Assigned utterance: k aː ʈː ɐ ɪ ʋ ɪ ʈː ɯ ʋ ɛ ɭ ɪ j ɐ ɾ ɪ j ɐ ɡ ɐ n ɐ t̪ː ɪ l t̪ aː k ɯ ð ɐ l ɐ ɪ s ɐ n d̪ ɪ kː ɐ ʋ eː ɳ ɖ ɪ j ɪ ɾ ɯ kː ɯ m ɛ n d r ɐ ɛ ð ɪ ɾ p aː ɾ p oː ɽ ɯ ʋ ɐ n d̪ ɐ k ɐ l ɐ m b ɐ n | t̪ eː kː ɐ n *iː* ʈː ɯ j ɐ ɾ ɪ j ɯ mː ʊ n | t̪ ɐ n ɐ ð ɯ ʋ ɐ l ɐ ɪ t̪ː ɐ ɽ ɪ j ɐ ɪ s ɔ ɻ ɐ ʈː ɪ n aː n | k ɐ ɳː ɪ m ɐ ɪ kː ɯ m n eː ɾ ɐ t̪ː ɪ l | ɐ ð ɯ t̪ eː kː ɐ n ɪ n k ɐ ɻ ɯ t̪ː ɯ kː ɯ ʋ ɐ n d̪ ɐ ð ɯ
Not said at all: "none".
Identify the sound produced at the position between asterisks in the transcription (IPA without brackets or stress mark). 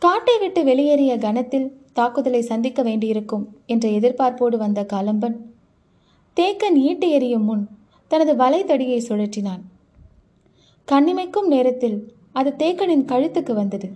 iː